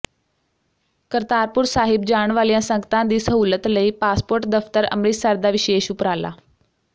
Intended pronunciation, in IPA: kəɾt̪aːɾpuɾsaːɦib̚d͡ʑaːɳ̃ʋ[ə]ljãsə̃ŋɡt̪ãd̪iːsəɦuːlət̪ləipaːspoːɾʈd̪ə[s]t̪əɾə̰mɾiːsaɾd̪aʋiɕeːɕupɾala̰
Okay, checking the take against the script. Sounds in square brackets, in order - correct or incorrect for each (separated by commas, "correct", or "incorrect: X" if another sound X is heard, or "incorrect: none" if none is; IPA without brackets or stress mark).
incorrect: a, incorrect: f